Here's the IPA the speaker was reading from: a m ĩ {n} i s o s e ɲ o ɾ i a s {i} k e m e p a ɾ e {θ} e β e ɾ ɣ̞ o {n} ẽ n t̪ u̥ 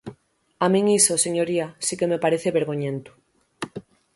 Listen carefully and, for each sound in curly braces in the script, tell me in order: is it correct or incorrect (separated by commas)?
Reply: incorrect, correct, correct, incorrect